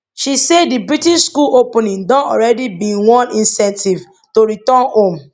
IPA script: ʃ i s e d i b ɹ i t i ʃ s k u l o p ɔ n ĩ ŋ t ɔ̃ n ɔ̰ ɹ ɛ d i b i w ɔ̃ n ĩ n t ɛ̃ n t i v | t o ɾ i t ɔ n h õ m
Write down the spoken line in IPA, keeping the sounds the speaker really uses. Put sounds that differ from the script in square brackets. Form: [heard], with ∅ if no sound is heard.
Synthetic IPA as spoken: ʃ i s e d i b ɹ i t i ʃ s k u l o p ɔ n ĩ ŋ [d] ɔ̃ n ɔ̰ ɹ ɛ d i b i w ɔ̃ n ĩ n [s] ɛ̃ n t i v | t o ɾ i t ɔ n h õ m